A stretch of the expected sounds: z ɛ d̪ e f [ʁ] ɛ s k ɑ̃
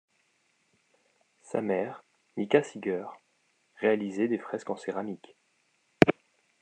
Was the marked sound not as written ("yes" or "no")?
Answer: yes